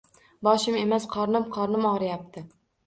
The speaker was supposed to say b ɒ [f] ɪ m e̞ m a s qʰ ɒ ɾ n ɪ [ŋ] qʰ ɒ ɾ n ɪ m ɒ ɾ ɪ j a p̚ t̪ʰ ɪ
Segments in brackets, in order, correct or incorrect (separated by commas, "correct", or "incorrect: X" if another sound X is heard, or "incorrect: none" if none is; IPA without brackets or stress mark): incorrect: ʃ, incorrect: m